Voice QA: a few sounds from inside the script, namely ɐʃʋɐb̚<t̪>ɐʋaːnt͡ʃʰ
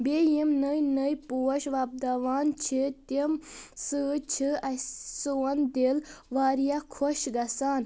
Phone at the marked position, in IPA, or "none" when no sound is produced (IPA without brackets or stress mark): d̪